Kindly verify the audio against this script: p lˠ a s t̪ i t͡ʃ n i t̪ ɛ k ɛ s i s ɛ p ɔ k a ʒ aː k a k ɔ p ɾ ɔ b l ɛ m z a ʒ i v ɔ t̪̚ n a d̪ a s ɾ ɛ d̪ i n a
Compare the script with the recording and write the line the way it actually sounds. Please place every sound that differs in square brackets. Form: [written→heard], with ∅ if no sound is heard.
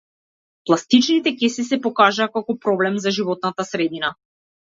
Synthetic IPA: p lˠ a s t̪ i t͡ʃ n i t̪ ɛ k ɛ s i s ɛ p ɔ k a ʒ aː k a k ɔ p ɾ ɔ b l ɛ m z a ʒ i v ɔ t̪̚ n a [d̪→t̪] a s ɾ ɛ d̪ i n a